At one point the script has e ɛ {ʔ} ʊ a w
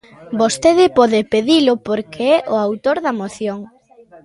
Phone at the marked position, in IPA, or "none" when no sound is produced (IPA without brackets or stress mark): ʔ